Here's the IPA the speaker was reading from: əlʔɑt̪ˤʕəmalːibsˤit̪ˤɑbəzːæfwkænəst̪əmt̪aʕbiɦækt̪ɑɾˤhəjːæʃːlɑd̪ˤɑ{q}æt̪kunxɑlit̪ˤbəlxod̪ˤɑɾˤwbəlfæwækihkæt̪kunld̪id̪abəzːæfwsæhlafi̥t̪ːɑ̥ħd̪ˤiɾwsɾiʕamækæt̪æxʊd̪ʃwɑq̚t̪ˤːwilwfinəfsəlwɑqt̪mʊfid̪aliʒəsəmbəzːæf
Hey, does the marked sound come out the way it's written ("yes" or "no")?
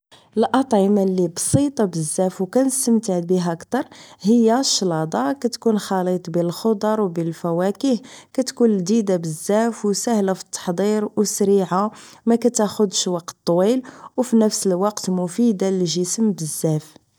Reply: no